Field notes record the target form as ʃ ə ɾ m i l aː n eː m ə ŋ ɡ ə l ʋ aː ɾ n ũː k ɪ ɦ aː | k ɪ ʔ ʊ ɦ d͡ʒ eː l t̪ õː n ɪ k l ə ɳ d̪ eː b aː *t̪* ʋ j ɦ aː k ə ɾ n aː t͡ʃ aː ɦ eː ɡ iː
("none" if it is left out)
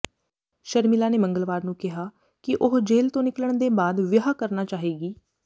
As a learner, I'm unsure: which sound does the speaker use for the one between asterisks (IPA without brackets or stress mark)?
d̪